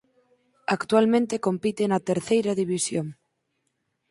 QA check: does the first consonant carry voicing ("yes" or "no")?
no